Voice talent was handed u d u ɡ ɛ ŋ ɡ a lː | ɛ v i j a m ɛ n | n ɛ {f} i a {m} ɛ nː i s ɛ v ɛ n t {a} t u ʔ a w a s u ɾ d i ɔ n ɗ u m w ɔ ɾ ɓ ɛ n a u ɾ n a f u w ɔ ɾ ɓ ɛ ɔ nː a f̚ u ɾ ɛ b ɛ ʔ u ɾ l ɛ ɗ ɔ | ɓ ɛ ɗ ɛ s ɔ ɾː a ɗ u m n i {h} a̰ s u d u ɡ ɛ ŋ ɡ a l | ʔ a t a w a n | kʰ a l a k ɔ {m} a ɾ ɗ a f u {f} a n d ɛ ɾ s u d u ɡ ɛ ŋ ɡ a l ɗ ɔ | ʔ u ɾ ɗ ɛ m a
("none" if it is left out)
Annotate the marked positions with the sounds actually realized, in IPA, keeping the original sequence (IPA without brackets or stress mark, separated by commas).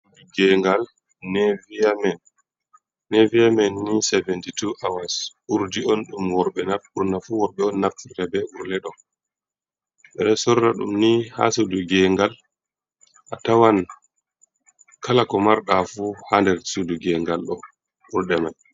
v, m, i, h, m, h